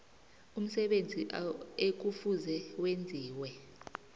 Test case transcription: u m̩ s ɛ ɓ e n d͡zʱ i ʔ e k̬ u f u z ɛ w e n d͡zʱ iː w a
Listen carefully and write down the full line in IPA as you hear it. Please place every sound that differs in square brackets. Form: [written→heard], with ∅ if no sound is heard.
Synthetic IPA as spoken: u m̩ s ɛ ɓ e n d͡zʱ i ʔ e k̬ u f u z ɛ w e n d͡zʱ iː w [a→ɛ]